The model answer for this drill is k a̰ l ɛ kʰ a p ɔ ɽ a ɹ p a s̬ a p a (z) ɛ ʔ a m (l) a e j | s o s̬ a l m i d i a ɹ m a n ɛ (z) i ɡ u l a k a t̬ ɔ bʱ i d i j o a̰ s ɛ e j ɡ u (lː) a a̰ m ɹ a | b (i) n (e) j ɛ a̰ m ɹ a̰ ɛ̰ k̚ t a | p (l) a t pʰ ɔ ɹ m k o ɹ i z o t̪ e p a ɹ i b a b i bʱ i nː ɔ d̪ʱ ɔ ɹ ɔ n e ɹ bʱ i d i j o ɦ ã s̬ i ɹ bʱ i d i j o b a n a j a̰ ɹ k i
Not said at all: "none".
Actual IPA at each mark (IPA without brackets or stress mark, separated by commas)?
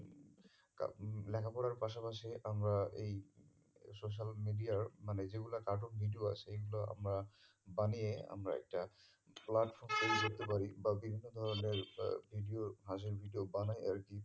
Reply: s, ɹ, z, l, a, i, l